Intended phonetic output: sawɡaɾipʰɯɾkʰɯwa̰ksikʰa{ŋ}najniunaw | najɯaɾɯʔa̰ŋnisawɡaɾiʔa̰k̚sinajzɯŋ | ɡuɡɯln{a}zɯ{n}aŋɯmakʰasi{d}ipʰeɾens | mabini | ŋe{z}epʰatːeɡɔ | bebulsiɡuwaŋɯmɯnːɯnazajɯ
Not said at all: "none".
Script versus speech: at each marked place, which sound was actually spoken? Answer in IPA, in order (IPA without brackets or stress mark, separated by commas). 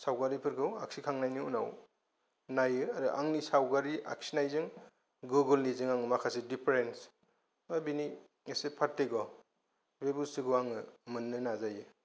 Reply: ŋ, i, ŋ, d, s